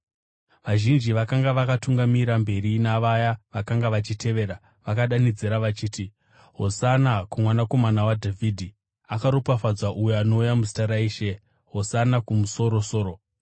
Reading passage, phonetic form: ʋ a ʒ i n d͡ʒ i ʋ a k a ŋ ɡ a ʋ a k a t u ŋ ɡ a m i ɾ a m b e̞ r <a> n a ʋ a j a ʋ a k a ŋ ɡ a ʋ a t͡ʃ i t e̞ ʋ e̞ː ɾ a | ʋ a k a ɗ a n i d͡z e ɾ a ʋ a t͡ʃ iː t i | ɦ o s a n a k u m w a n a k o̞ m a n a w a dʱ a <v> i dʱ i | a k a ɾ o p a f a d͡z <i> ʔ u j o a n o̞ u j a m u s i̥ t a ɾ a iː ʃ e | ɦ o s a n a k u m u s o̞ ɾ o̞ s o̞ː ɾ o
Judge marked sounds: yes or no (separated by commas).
no, yes, no